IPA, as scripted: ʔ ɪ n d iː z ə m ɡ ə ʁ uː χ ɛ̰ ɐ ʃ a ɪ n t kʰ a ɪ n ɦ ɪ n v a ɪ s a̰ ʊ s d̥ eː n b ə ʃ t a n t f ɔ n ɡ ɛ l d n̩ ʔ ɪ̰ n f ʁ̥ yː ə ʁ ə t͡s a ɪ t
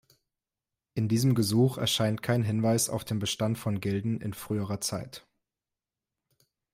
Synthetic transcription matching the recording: ʔ ɪ n d iː z ə m ɡ ə z uː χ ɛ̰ ɐ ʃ a ɪ n t kʰ a ɪ n ɦ ɪ n v a ɪ s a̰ ʊ f d̥ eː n b ə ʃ t a n t f ɔ n ɡ ɛ l d n̩ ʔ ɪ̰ n f ʁ̥ yː ə ʁ ɐ t͡s a ɪ t

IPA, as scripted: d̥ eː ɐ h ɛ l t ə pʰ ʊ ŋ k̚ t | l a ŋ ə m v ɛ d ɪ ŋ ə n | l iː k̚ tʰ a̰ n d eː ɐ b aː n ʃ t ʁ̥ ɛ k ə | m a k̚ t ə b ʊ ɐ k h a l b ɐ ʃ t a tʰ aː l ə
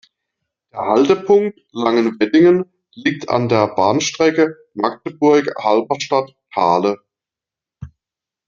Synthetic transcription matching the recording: d̥ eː ɐ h a l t ə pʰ ʊ ŋ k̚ t | l a ŋ ə n v ɛ d ɪ ŋ ə n | l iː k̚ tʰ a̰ n d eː ɐ b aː n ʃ t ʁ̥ ɛ k ə | m a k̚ t ə b ʊ ɐ k h a l b ɐ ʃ t a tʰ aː l ə

